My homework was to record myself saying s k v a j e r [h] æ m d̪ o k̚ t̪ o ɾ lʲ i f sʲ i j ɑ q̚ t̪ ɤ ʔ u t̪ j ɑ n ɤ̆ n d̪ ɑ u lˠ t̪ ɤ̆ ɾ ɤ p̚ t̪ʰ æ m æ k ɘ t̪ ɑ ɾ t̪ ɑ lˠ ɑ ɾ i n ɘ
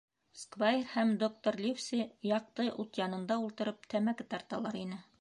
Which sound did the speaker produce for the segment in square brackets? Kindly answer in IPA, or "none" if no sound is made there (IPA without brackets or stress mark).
h